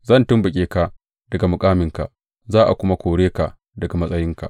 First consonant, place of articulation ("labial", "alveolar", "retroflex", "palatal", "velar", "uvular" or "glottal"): alveolar